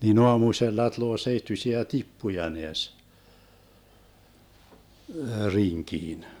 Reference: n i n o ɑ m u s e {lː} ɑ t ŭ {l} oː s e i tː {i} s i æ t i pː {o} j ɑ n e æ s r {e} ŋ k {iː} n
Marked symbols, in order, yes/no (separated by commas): yes, yes, no, no, no, yes